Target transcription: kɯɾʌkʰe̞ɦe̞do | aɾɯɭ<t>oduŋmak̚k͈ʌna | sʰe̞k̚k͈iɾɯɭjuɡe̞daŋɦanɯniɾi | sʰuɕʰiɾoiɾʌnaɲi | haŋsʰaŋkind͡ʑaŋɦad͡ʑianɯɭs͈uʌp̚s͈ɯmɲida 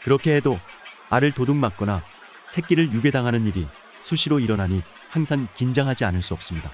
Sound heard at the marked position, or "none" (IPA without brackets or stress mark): t